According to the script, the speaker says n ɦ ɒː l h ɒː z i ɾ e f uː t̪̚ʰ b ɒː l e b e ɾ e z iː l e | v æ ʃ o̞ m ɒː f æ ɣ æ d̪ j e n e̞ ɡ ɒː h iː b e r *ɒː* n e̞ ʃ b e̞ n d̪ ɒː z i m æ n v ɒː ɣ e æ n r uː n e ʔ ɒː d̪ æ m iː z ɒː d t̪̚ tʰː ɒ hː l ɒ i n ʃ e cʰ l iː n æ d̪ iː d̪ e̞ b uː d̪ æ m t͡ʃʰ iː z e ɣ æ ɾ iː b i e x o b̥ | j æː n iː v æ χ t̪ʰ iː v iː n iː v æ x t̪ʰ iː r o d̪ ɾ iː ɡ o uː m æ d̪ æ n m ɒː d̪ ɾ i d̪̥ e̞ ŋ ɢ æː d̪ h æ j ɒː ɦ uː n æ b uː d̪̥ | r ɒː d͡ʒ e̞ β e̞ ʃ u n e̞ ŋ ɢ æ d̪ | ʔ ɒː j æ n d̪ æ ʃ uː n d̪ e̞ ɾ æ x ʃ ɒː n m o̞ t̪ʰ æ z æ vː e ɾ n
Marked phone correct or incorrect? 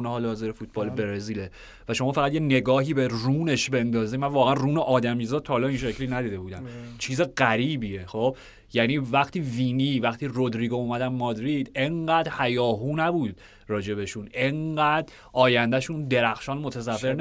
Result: incorrect